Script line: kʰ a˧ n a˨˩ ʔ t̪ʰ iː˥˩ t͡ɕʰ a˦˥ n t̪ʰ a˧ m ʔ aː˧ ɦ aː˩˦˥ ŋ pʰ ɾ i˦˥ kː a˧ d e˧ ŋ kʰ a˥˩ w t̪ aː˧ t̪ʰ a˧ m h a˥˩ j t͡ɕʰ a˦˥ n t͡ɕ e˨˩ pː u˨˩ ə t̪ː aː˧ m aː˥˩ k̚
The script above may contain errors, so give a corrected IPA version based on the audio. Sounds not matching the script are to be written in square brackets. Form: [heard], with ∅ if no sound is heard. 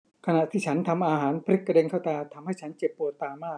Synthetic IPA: kʰ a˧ n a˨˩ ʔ t̪ʰ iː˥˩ t͡ɕʰ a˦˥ n t̪ʰ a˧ m ʔ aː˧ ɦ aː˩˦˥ [n] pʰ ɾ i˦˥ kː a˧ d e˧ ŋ kʰ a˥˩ w t̪ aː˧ t̪ʰ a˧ m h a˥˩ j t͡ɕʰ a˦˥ n t͡ɕ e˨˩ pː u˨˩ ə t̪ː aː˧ m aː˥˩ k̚